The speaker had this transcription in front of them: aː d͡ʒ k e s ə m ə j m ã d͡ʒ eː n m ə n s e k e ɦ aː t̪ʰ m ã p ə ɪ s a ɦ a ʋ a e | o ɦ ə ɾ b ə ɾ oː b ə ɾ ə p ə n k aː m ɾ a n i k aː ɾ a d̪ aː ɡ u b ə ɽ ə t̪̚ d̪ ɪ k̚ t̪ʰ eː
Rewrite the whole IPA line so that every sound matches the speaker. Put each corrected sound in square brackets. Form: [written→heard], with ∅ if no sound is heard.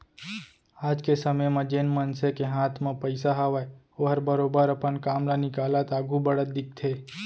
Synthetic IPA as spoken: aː d͡ʒ k e s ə m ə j m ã d͡ʒ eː n m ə n s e k e ɦ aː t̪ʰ m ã p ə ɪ s a ɦ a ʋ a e | o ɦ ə ɾ b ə ɾ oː b ə ɾ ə p ə n k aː m [ɾ→l] a n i k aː [ɾ→l] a [d̪→t̪] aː ɡ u b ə ɽ ə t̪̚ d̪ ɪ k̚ t̪ʰ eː